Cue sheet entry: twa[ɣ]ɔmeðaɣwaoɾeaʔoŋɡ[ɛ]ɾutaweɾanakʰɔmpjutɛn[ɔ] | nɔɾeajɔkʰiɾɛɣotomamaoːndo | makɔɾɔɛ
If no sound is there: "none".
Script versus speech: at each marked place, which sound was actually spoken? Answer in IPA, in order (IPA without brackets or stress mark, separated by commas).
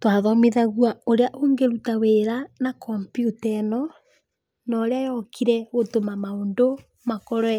ð, e, ɔ